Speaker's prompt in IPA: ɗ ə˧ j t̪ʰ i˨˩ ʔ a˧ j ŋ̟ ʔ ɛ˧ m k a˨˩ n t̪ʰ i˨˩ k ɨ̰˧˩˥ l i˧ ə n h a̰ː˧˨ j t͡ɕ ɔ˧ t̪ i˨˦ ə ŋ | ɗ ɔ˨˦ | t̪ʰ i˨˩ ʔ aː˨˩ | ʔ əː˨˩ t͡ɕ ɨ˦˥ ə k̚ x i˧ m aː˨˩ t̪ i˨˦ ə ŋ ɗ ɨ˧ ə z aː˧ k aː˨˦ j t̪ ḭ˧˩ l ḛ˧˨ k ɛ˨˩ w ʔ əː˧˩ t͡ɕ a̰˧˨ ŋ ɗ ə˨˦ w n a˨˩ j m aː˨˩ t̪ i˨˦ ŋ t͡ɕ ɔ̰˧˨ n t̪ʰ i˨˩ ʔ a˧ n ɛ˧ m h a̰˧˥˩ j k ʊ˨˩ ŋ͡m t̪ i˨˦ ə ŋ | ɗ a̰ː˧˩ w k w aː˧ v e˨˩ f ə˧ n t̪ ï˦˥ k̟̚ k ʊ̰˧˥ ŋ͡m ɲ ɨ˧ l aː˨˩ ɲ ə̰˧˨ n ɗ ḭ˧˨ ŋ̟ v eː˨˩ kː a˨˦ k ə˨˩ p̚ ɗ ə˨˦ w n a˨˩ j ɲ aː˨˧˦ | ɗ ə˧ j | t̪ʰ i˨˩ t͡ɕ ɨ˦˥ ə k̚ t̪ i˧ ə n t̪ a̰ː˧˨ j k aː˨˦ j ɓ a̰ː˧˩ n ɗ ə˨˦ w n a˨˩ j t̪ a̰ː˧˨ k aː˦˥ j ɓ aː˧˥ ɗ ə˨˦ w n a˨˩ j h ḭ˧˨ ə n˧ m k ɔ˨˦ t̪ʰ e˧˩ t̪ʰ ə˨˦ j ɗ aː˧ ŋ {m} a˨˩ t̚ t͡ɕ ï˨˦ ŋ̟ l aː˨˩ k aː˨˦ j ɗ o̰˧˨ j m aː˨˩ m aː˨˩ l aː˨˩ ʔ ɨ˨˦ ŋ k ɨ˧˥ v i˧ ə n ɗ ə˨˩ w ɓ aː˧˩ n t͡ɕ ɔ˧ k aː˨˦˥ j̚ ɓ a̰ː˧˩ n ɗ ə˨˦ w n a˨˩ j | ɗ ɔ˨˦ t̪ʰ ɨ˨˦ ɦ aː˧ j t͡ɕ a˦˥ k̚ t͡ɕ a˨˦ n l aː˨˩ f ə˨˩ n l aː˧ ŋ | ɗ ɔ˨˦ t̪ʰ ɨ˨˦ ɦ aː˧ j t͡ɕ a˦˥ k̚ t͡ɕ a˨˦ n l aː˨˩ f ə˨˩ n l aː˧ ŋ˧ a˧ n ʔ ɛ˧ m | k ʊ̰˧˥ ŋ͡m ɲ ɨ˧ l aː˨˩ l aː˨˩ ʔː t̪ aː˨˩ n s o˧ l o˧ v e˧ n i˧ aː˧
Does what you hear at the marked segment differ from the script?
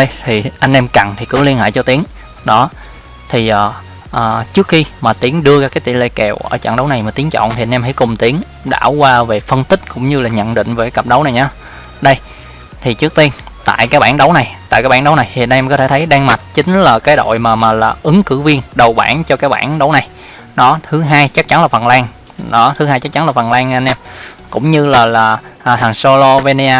no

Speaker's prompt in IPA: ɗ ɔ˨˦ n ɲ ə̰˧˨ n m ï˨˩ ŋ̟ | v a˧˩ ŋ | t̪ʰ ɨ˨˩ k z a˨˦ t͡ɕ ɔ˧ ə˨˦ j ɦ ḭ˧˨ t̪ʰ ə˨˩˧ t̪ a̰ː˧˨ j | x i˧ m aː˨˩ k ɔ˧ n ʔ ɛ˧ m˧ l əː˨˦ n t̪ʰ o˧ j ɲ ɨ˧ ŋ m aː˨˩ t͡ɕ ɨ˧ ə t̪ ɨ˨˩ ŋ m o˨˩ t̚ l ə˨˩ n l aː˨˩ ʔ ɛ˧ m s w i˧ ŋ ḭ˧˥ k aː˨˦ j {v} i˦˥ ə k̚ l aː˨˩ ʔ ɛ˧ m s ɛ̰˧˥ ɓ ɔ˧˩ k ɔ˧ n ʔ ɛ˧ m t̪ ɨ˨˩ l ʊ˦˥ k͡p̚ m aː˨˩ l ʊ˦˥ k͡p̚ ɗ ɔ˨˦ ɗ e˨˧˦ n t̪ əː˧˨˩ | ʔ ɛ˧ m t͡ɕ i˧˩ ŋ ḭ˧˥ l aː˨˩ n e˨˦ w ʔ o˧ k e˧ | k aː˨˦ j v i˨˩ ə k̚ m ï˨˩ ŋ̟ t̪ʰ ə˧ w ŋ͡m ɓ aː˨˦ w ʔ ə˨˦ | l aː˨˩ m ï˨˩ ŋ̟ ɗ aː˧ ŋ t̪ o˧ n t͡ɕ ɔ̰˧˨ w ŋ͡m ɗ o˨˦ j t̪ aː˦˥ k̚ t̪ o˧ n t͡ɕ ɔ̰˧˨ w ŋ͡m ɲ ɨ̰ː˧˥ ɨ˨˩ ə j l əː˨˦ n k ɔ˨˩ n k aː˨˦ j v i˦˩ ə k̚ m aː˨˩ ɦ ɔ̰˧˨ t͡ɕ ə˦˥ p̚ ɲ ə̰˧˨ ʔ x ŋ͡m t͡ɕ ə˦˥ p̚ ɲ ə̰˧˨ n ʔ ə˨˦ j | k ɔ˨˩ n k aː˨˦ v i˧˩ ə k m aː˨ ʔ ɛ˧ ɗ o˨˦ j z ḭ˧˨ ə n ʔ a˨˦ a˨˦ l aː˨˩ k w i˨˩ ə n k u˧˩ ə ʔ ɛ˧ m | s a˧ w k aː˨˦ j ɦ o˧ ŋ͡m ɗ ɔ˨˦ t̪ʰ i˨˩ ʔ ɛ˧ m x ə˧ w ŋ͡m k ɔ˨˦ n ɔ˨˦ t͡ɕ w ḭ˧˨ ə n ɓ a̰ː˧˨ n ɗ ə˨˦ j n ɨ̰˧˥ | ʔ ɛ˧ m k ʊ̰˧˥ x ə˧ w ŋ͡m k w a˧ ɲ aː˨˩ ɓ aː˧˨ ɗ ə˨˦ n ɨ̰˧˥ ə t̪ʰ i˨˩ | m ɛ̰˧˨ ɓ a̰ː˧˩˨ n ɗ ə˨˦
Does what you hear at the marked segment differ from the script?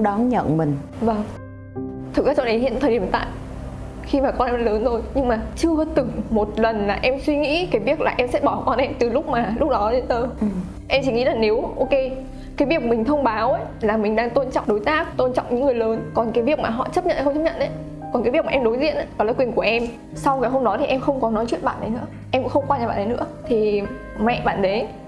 no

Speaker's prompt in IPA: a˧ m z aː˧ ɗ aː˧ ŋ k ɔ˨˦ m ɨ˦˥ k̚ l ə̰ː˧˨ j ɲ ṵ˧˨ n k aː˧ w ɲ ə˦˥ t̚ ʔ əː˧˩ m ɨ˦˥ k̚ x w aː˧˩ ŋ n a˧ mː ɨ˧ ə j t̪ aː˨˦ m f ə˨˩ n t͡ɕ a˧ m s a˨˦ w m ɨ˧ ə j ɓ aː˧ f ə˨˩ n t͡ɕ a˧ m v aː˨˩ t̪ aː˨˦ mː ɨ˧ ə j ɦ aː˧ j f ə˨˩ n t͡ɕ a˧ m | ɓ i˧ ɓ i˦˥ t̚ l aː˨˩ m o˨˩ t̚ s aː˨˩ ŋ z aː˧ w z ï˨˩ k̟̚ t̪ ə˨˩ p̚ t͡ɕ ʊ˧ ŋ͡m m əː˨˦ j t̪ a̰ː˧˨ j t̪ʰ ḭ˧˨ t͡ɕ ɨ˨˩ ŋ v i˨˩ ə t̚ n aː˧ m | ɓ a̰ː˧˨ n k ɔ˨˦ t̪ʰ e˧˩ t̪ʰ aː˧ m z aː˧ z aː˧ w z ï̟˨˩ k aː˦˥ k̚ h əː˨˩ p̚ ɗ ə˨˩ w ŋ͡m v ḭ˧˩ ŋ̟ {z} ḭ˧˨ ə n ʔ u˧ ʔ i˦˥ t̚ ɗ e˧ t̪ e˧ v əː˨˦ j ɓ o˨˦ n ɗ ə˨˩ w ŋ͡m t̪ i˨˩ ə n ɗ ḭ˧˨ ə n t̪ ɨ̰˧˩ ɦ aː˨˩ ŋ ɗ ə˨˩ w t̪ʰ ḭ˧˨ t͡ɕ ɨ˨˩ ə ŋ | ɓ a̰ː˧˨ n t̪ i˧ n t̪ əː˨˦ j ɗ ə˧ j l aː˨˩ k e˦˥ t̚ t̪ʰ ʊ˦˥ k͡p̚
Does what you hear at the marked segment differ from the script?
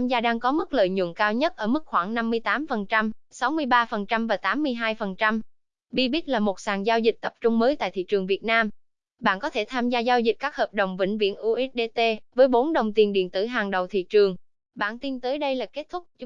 yes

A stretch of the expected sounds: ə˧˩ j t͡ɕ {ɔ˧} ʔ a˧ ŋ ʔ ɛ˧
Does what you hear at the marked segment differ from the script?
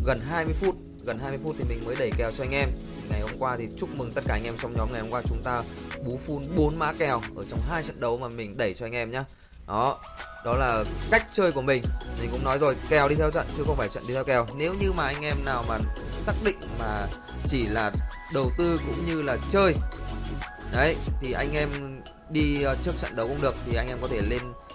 no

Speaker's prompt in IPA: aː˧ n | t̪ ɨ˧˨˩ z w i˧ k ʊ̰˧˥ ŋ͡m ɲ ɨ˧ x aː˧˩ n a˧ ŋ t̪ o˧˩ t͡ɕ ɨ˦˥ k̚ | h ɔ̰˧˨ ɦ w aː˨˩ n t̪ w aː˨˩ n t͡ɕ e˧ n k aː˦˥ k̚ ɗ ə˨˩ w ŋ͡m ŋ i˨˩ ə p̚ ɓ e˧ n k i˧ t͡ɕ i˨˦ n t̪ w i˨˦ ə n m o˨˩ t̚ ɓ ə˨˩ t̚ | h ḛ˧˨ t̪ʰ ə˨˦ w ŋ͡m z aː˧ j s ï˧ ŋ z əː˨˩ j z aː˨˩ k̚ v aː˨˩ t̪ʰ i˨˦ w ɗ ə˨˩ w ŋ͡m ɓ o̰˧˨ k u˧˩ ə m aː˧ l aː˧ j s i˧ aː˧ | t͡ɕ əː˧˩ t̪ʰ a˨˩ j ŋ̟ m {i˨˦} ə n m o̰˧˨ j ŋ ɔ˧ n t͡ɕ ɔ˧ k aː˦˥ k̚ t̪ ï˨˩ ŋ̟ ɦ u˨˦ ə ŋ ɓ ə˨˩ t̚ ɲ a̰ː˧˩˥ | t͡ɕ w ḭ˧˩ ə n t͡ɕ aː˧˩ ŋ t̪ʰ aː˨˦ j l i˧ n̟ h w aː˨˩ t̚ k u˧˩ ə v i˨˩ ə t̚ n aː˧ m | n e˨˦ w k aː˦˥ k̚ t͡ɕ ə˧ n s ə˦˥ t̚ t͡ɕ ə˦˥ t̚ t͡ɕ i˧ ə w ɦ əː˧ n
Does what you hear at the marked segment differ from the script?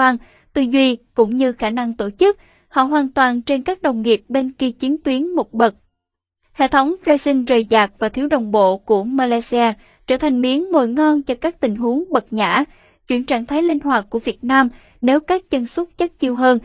no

